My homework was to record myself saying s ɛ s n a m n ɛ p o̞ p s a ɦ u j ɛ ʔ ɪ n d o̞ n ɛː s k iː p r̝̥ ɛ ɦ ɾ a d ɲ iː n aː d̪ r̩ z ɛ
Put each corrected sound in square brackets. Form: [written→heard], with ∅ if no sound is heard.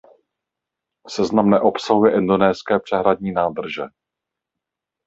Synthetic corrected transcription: s ɛ [s→z] n a m n ɛ [p→ʔ] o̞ p s a ɦ u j ɛ ʔ ɪ n d o̞ n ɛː s k [iː→ɛː] p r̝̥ ɛ ɦ ɾ a d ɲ iː n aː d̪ r̩ [z→ʒ] ɛ